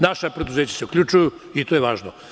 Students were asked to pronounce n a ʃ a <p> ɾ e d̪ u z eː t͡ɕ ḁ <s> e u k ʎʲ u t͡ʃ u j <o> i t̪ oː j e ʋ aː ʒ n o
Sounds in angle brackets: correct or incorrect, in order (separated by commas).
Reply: correct, correct, incorrect